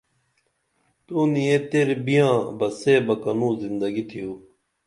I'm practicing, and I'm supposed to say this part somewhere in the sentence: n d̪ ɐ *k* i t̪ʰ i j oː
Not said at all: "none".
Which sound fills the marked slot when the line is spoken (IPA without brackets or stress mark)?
ɡ